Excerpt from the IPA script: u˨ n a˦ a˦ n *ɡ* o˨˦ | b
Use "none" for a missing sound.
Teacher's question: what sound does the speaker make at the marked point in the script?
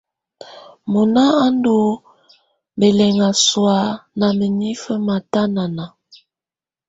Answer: d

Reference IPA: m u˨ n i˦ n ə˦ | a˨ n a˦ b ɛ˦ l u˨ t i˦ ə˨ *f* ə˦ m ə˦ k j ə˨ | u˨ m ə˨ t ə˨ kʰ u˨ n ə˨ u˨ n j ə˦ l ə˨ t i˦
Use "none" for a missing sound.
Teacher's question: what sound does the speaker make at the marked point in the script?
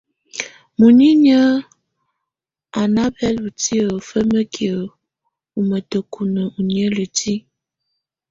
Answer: f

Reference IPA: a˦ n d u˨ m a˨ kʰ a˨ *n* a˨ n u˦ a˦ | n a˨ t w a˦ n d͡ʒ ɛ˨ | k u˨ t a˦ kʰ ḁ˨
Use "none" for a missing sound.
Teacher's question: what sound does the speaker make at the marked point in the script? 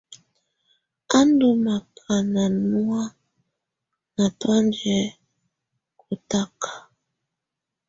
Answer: n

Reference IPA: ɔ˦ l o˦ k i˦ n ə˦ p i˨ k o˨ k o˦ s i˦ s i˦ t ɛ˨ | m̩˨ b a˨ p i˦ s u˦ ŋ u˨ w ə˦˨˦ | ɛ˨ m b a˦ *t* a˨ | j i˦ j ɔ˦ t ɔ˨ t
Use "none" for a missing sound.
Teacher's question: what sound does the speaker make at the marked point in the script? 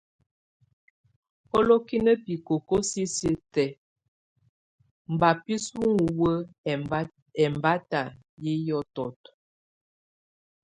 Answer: t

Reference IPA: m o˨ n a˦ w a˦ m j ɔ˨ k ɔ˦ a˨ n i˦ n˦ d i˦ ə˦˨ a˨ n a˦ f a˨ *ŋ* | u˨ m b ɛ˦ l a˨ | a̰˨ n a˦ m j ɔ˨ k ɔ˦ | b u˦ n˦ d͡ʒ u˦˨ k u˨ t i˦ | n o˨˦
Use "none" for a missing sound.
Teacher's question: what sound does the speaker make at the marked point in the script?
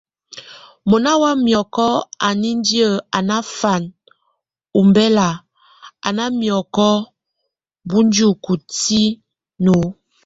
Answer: n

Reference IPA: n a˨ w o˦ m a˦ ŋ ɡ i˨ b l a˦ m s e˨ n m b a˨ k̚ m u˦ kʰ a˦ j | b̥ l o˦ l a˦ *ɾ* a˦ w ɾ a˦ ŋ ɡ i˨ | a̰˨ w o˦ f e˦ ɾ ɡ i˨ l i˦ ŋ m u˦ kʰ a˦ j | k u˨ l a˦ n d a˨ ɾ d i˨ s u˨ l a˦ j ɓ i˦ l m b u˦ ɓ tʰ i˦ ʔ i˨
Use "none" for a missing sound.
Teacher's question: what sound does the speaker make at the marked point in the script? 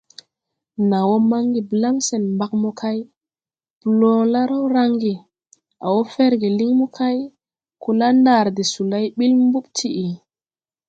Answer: ɾ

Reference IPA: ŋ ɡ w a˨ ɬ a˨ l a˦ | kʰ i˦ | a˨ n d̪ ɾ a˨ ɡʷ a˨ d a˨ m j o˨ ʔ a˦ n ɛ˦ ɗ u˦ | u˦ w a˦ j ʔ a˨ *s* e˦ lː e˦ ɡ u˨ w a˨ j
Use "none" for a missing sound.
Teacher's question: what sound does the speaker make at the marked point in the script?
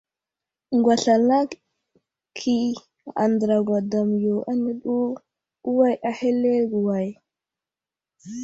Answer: h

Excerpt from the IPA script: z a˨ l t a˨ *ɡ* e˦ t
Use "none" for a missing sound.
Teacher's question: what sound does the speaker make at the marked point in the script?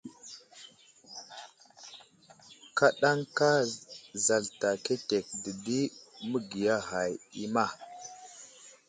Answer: k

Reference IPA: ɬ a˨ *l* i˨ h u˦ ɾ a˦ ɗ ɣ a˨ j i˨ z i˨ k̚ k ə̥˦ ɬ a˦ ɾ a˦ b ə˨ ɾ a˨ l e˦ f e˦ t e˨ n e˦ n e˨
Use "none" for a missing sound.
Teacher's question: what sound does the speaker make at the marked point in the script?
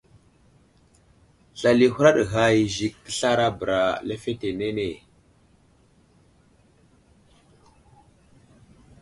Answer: l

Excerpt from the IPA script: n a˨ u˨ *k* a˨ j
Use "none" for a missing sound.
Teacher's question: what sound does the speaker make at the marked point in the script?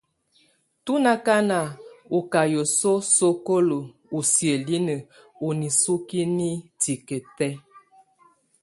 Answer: k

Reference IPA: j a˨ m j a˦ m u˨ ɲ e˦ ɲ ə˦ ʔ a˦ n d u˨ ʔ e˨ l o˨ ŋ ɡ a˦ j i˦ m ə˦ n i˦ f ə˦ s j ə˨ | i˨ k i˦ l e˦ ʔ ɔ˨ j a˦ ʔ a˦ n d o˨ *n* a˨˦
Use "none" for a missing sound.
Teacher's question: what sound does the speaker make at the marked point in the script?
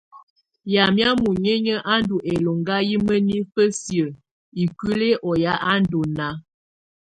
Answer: n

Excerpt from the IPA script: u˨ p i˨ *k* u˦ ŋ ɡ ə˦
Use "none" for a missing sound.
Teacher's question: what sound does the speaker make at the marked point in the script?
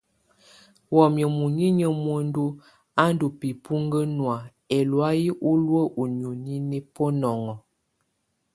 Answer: p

